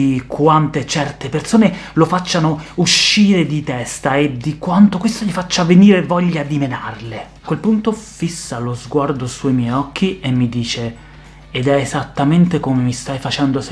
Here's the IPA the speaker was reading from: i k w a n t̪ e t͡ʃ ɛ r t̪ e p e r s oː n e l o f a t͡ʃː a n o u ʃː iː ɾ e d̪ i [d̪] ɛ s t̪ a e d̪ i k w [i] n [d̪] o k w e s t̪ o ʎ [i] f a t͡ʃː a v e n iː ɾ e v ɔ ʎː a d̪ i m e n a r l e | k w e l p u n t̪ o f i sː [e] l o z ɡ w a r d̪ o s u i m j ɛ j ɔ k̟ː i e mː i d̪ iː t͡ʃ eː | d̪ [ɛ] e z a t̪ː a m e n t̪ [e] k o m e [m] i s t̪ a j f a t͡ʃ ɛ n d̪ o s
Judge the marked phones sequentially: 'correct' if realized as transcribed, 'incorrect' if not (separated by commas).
incorrect, incorrect, incorrect, correct, incorrect, correct, correct, correct